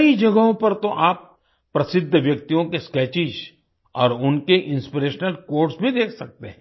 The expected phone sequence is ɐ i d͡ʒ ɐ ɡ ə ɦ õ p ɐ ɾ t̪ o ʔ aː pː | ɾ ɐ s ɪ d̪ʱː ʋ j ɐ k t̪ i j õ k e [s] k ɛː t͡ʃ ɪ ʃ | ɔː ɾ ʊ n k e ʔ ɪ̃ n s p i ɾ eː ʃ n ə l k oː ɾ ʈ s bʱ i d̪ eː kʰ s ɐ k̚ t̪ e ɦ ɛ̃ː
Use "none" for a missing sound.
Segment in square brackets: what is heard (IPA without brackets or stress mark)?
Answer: s